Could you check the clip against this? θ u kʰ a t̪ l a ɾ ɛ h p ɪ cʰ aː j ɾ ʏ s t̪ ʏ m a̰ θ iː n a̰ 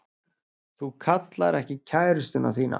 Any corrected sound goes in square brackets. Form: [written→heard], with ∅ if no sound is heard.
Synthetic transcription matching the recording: θ u kʰ a t̪ l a ɾ ɛ h [p→c] ɪ cʰ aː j ɾ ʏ s t̪ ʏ [m→n] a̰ θ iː n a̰